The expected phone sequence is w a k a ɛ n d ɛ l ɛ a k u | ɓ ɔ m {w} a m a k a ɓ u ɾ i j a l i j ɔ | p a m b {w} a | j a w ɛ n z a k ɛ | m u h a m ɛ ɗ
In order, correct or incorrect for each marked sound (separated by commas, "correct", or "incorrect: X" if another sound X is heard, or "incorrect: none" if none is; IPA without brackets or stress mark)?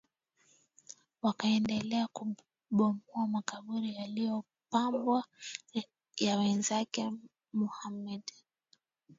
incorrect: u, correct